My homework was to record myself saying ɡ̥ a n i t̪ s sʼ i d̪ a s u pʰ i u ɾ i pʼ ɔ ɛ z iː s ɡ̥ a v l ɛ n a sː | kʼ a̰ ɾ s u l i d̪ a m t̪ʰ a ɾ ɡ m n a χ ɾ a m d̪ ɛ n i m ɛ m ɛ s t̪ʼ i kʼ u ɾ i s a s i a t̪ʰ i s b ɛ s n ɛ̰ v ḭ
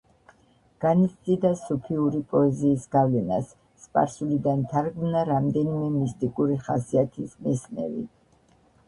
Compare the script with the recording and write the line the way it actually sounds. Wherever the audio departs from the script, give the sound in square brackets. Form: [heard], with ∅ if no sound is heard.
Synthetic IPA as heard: ɡ̥ a n i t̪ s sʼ i d̪ a s u pʰ i u ɾ i pʼ ɔ ɛ z iː s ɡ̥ a v l ɛ n a sː | [pʼ] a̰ ɾ s u l i d̪ a [n] t̪ʰ a ɾ ɡ m n a [∅] ɾ a m d̪ ɛ n i m ɛ m [i] s t̪ʼ i kʼ u ɾ i [χ] a s i a t̪ʰ i s [m] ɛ s n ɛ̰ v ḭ